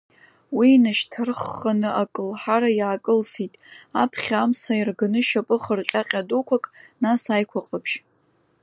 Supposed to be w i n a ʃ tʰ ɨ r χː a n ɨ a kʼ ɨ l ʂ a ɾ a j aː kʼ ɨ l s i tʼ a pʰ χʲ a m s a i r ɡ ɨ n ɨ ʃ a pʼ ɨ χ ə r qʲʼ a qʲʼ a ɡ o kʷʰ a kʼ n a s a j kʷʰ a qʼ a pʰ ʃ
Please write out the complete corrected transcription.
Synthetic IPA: w i n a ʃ tʰ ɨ r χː a n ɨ a kʼ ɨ l ħ a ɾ a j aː kʼ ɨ l s i tʼ a pʰ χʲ a m s a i r ɡ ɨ n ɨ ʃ a pʼ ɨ χ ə r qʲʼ a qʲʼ a d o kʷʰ a kʼ n a s a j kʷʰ a qʼ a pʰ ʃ